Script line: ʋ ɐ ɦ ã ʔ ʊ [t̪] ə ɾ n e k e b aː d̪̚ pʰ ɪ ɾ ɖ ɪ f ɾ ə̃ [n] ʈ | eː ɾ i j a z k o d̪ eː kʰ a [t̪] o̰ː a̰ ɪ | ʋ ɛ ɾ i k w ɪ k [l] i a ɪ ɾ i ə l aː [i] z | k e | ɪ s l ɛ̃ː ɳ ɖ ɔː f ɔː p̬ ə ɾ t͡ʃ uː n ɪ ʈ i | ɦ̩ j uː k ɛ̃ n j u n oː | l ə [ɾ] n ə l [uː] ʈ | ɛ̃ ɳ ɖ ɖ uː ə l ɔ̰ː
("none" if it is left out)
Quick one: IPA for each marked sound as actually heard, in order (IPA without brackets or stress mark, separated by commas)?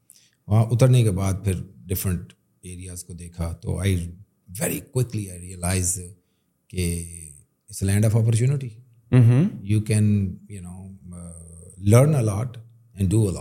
t̪, ɳ, t̪, l, ɪ, ɾ, ɔː